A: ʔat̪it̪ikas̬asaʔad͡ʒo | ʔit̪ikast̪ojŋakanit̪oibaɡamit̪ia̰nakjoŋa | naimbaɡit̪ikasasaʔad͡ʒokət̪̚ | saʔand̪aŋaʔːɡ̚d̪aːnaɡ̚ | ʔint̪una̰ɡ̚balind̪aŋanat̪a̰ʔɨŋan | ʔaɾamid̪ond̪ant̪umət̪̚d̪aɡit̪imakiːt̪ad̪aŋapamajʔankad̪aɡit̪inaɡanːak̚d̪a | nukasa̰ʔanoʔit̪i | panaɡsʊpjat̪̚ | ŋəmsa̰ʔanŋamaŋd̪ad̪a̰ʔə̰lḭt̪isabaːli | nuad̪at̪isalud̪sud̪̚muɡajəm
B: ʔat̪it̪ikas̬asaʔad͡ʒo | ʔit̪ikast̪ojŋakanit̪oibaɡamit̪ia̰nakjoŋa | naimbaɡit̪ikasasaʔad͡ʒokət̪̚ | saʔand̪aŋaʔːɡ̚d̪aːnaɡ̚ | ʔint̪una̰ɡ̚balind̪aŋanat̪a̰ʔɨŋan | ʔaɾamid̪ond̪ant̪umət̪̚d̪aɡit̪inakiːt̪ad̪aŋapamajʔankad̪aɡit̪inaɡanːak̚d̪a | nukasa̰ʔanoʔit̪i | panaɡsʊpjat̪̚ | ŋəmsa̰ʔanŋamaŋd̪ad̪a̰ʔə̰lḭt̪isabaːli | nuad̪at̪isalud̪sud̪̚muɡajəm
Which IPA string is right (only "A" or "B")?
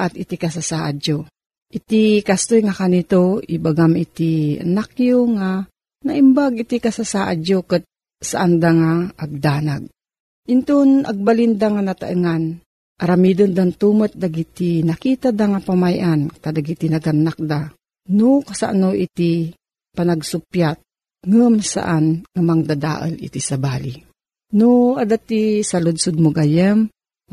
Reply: B